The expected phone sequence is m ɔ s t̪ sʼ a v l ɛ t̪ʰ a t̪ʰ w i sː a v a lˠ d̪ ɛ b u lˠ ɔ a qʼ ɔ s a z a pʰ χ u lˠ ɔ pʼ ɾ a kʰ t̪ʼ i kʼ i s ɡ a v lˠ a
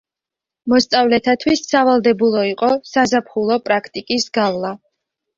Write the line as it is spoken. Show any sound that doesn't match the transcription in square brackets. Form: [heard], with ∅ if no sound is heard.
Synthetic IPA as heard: m ɔ s t̪ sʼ a v l ɛ t̪ʰ a t̪ʰ w i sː a v a lˠ d̪ ɛ b u lˠ ɔ [i] qʼ ɔ s a z a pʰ χ u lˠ ɔ pʼ ɾ a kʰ t̪ʼ i kʼ i s ɡ a v lˠ a

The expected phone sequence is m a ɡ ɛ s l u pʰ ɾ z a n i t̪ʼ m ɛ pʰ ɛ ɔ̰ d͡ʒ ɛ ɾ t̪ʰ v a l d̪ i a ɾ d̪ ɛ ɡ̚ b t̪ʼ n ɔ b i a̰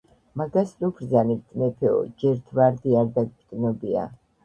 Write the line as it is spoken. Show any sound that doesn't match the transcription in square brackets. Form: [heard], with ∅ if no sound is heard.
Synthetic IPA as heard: m a ɡ [a] s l u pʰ ɾ z a n i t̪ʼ m ɛ pʰ ɛ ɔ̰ d͡ʒ ɛ ɾ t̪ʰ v a [ɾ] d̪ i a ɾ d̪ [a] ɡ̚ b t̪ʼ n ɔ b i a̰

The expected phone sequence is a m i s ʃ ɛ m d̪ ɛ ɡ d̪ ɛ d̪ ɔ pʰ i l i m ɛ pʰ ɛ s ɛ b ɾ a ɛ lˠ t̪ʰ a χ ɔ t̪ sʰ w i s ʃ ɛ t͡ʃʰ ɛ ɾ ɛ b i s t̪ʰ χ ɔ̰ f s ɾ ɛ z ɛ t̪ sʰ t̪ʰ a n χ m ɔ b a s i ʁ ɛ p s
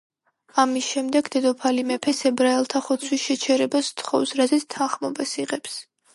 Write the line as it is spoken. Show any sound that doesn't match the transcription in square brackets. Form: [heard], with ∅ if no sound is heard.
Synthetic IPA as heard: a m i s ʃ ɛ m d̪ ɛ ɡ d̪ ɛ d̪ ɔ pʰ [a] l i m ɛ pʰ ɛ s ɛ b ɾ a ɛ lˠ t̪ʰ a χ ɔ t̪ sʰ w i s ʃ ɛ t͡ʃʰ ɛ ɾ ɛ b [a] s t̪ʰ χ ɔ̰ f s ɾ [a] z ɛ t̪ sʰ t̪ʰ a n χ m ɔ b a s i ʁ ɛ p s

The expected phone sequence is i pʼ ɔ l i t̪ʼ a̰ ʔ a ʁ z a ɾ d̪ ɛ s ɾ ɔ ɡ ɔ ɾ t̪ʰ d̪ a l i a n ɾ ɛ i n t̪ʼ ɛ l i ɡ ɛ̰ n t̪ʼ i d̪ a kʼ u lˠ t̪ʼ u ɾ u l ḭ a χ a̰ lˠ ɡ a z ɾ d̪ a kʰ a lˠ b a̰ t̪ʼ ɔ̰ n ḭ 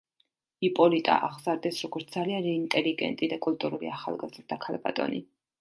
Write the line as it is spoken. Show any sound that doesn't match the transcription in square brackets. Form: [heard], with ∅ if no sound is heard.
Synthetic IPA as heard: i pʼ ɔ l i t̪ʼ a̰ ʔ a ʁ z a ɾ d̪ ɛ s ɾ ɔ ɡ ɔ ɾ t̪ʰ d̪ a l i a n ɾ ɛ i n t̪ʼ ɛ l i ɡ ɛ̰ n t̪ʼ i d̪ a kʼ u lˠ t̪ʼ u ɾ u l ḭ a χ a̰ lˠ ɡ a z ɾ d̪ a kʰ a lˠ b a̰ t̪ʼ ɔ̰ n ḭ

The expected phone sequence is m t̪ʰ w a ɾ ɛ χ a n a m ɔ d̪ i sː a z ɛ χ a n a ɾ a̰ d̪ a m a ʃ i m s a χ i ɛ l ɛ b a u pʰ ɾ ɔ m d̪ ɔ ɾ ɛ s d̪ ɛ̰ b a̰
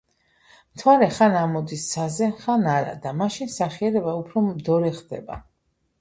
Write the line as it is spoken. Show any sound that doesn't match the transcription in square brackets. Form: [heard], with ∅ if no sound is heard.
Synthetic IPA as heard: m t̪ʰ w a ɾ ɛ χ a n a m ɔ d̪ i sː a z ɛ χ a n a ɾ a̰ d̪ a m a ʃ i [n] s a χ i ɛ [ɾ] ɛ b a u pʰ ɾ ɔ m d̪ ɔ ɾ ɛ [χ] d̪ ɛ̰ b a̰

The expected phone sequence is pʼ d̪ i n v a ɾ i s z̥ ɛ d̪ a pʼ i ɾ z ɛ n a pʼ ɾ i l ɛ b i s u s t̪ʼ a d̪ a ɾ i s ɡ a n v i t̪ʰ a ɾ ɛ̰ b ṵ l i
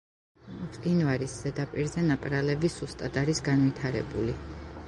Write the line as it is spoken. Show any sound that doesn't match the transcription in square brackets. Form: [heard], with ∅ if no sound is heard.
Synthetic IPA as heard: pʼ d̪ i n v a ɾ i s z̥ ɛ d̪ a pʼ i ɾ z ɛ n a pʼ ɾ [a] l ɛ b i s u s t̪ʼ a d̪ a ɾ i s ɡ a n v i t̪ʰ a ɾ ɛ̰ b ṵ l i

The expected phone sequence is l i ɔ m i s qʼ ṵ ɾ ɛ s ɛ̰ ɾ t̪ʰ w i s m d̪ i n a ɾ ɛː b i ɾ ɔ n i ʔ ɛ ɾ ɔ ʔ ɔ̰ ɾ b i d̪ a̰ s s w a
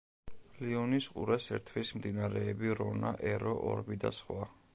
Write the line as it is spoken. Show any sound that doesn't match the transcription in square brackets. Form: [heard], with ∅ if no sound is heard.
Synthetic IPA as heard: l i ɔ [n] i s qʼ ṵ ɾ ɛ s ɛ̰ ɾ t̪ʰ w i s m d̪ i n a ɾ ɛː b i ɾ ɔ n [a] ʔ ɛ ɾ ɔ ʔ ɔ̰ ɾ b i d̪ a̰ s [χ] w a

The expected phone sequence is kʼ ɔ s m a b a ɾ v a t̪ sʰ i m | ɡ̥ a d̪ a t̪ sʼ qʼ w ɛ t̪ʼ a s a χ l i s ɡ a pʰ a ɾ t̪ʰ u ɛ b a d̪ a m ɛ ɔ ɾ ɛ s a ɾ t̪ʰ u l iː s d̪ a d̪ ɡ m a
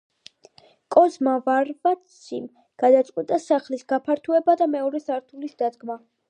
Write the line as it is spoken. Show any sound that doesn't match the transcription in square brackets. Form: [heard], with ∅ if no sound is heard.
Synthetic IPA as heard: kʼ ɔ [z] m a [v] a ɾ v a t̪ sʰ i m | ɡ̥ a d̪ a t̪ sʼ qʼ w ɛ t̪ʼ a s a χ l i s ɡ a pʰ a ɾ t̪ʰ u ɛ b a d̪ a m ɛ ɔ ɾ ɛ s a ɾ t̪ʰ u l [i] s d̪ a d̪ ɡ m a

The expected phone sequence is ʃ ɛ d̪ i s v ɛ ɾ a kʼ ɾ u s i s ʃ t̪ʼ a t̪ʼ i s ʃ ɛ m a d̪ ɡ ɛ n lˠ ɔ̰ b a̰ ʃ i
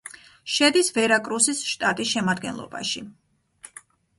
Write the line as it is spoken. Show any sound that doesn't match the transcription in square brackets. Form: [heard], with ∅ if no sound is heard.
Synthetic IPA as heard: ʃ ɛ d̪ i s v ɛ ɾ a kʼ ɾ u s i s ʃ t̪ʼ a t̪ʼ i s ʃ ɛ m a d̪ ɡ ɛ n lˠ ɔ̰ b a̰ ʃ i

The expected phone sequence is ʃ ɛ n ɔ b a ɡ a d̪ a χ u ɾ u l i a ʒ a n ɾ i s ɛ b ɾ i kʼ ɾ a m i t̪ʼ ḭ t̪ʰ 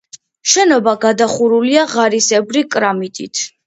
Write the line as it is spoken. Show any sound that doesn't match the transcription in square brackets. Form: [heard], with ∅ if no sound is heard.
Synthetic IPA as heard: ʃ ɛ n ɔ b a ɡ a d̪ a χ u ɾ u l i a [ʁ] a [∅] ɾ i s ɛ b ɾ i kʼ ɾ a m i t̪ʼ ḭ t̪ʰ

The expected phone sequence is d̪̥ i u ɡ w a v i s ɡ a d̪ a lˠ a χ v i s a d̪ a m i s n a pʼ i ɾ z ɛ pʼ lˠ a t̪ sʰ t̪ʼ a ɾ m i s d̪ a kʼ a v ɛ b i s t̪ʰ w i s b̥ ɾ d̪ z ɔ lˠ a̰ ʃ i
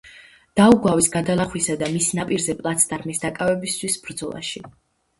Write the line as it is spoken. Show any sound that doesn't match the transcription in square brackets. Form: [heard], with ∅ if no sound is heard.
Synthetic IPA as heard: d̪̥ [a] u ɡ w a v i s ɡ a d̪ a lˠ a χ [w] i s a d̪ a m i s n a pʼ i ɾ z ɛ pʼ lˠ a t̪ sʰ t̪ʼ a ɾ m i s d̪ a kʼ a v ɛ b i s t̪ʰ w i s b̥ ɾ d̪ z ɔ lˠ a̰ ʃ i

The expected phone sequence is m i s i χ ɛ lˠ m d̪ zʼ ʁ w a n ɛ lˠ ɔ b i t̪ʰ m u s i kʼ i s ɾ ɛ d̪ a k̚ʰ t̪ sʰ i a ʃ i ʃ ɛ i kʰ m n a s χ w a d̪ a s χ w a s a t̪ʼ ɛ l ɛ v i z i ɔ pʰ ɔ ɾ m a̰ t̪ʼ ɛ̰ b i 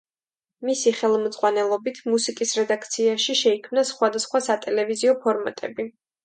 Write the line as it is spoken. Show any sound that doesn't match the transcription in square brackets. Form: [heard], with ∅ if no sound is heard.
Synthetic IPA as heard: m i s i χ ɛ lˠ m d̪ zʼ ʁ w a n ɛ lˠ ɔ b i t̪ʰ m u s i kʼ i s ɾ ɛ d̪ a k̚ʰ t̪ sʰ i a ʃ i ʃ ɛ i kʰ m n a s χ w a d̪ a s χ w a s a t̪ʼ ɛ l ɛ v i z i ɔ pʰ ɔ ɾ m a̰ t̪ʼ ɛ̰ b i

